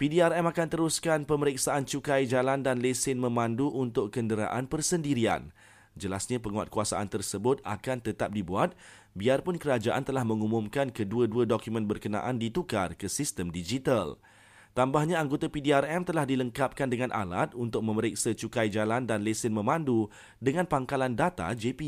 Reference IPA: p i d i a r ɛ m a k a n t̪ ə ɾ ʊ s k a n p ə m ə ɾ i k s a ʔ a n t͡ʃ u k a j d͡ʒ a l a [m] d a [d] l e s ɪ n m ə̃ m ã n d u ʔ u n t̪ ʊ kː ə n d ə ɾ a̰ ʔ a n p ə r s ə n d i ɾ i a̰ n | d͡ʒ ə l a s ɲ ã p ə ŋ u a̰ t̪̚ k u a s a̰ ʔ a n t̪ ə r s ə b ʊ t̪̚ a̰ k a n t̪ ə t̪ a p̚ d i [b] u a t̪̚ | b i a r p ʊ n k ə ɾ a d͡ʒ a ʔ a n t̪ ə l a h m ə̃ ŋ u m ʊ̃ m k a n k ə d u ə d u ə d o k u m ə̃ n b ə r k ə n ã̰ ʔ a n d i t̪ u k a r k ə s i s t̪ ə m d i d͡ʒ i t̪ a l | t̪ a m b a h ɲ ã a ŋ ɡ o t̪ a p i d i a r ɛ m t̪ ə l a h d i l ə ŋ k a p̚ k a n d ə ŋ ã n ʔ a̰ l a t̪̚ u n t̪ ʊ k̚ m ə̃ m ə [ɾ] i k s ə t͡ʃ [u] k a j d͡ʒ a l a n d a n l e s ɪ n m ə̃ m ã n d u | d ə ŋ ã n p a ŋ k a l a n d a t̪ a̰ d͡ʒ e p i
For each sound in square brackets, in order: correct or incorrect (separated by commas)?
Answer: incorrect, incorrect, correct, correct, correct